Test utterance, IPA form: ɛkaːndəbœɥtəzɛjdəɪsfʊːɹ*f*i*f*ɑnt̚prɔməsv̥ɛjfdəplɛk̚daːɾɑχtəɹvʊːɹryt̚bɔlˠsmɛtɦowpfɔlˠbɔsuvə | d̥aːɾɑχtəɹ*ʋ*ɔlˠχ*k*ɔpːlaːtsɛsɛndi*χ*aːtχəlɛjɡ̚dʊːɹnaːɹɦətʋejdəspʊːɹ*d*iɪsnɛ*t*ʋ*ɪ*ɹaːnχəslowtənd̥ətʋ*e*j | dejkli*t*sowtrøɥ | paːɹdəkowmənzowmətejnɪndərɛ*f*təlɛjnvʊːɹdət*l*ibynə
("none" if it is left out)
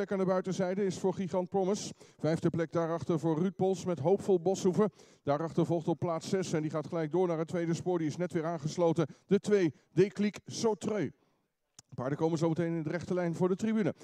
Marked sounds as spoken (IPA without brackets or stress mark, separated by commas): χ, χ, v, t, χ, d, t, ɪː, e, k, χ, r